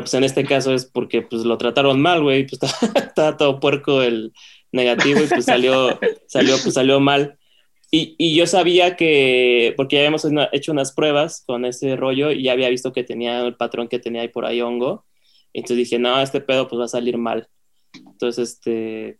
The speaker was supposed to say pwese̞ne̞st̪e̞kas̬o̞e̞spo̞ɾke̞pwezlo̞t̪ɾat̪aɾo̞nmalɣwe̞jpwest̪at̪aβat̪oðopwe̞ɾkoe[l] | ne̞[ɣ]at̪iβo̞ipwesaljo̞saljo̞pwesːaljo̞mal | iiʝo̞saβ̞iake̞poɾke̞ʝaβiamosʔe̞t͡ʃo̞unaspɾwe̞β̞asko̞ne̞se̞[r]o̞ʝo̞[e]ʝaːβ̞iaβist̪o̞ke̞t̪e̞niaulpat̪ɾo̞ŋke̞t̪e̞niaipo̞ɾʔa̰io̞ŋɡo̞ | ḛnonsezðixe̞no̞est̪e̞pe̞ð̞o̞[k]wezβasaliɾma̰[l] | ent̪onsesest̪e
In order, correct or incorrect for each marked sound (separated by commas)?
correct, correct, correct, incorrect, incorrect, correct